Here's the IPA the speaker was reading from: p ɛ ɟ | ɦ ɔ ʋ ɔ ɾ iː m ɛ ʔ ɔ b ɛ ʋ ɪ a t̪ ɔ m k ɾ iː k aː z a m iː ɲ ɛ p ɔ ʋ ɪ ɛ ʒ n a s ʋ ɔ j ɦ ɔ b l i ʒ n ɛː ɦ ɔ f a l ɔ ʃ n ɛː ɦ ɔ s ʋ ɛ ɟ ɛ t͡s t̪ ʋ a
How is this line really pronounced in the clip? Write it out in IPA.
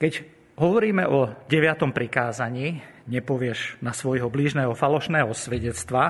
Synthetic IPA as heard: k ɛ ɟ | ɦ ɔ ʋ ɔ ɾ iː m ɛ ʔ ɔ ɟ ɛ ʋ ɪ a t̪ ɔ m p ɾ i k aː z a ɲ iː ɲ ɛ p ɔ ʋ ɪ ɛ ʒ n a s ʋ ɔ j ɦ ɔ b l i ʒ n ɛː ɦ ɔ f a l ɔ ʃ n ɛː ɦ ɔ s ʋ ɛ ɟ ɛ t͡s t̪ ʋ a